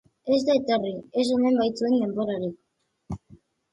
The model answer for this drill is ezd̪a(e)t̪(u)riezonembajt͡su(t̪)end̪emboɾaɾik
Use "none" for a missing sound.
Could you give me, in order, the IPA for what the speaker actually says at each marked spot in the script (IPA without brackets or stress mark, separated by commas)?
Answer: e, o, none